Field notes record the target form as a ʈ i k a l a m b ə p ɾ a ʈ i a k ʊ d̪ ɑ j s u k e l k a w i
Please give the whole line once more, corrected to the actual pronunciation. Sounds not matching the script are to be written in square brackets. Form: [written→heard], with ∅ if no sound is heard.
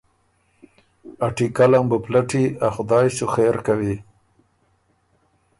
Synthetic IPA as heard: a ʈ i k a l a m b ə p [ɾ→l] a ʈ i a [k→x] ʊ d̪ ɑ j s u [k→x] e [l→ɾ] k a w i